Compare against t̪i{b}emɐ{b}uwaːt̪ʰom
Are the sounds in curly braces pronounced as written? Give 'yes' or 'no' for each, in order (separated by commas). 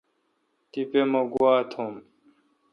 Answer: no, no